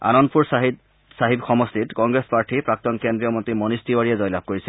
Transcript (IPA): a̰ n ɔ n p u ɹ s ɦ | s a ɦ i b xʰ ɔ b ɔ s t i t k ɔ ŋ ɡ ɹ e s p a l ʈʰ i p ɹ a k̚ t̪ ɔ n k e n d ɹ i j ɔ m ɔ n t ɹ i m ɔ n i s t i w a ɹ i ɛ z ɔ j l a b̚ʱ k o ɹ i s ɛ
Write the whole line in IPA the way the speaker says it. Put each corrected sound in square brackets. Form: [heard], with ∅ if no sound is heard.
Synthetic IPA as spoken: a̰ n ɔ n p u ɹ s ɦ | s a ɦ i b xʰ ɔ [m] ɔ s t i t k ɔ ŋ ɡ ɹ e s p a [ɹ] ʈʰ i p ɹ a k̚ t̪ ɔ n k e n d ɹ i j ɔ m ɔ n t ɹ i m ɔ n i s t i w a ɹ i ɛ z ɔ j l a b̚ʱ k o ɹ i s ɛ